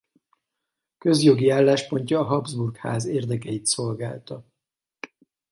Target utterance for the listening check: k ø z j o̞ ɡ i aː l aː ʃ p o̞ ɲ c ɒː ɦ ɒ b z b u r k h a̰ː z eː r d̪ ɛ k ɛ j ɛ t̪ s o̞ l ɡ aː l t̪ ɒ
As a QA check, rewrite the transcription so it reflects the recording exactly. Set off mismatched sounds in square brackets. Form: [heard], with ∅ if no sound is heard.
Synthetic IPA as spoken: k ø z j o̞ ɡ i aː [lː] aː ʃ p o̞ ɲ c ɒː ɦ ɒ b z b u r k h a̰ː z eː r d̪ ɛ k ɛ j [i] t̪ s o̞ l ɡ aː l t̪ ɒ